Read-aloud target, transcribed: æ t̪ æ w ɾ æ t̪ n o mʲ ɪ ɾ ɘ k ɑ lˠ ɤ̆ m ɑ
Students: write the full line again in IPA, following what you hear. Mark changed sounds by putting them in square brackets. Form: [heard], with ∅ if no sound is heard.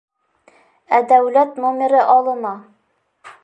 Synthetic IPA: æ [d̪] æ w [l] æ t̪ n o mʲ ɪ ɾ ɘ [ʔ] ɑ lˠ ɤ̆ m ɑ